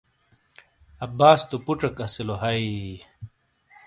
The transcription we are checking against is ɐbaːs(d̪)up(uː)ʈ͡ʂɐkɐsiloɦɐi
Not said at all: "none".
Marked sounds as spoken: t̪, u

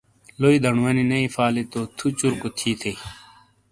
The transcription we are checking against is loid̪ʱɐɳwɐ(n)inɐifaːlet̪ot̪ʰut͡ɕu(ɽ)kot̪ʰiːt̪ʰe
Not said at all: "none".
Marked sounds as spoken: n, ɾ

